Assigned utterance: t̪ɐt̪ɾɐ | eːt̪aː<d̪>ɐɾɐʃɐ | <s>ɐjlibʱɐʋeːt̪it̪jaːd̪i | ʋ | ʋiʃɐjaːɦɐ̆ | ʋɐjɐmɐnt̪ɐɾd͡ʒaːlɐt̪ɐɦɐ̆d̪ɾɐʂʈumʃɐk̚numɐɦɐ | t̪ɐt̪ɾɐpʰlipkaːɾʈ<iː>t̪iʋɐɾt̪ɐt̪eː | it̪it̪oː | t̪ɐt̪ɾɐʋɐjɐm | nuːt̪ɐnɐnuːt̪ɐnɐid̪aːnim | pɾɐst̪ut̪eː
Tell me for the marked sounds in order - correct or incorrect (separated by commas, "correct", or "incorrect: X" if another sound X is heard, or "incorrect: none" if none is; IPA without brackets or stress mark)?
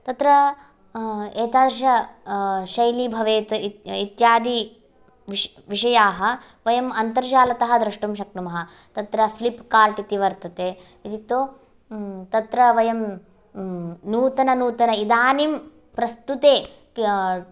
correct, incorrect: ʃ, incorrect: i